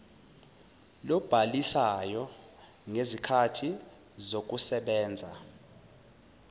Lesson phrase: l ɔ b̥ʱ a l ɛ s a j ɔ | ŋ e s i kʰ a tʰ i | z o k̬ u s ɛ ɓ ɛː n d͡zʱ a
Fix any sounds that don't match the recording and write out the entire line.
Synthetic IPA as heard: l ɔ b̥ʱ a l i s a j ɔ | ŋ e z i kʰ a tʰ i | z o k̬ u s ɛ ɓ ɛː n d͡zʱ a